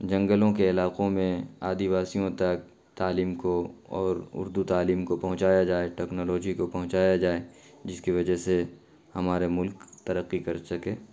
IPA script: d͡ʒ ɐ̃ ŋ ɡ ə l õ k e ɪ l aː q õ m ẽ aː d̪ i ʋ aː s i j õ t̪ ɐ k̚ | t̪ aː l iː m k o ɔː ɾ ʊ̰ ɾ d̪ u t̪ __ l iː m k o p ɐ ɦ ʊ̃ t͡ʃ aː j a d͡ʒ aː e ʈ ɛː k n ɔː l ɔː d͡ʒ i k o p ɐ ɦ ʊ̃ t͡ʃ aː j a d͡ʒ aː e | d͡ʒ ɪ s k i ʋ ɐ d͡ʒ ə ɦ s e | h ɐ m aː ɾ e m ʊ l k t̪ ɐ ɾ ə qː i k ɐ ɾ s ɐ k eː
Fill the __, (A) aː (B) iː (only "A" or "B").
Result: A